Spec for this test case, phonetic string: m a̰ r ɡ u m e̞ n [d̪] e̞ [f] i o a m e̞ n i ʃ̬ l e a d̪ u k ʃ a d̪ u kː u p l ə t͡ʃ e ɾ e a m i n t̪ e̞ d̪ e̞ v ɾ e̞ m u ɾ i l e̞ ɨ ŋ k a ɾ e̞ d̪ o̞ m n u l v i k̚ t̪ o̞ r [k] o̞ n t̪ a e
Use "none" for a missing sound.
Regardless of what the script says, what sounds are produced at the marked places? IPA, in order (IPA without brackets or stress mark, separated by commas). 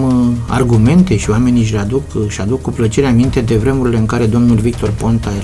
t̪, ʃ, p